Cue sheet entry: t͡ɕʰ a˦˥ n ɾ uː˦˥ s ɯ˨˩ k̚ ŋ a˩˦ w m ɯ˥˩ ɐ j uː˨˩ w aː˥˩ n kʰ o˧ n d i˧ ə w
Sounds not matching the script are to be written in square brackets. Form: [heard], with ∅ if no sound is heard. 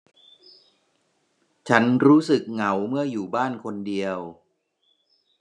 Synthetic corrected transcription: t͡ɕʰ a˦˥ n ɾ uː˦˥ s ɯ˨˩ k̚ ŋ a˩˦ w m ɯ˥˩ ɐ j uː˨˩ [b] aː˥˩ n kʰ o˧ n d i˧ ə w